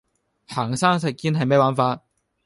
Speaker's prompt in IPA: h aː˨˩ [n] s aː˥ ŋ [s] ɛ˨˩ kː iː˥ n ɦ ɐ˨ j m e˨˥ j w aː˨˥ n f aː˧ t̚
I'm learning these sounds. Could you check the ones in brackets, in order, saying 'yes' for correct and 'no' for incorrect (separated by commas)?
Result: no, yes